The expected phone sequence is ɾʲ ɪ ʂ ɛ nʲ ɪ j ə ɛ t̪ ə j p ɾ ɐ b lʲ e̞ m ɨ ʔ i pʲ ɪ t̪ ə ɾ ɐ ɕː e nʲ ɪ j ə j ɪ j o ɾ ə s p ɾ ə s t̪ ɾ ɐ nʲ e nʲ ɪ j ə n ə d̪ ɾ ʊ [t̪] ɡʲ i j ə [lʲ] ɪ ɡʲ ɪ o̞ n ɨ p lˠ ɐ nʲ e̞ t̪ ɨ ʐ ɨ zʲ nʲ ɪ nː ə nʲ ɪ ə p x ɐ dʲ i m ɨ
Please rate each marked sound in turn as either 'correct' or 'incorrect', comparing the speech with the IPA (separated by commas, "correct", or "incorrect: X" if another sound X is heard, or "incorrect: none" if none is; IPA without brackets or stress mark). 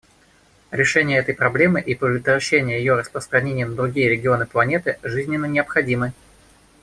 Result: incorrect: none, incorrect: ɾʲ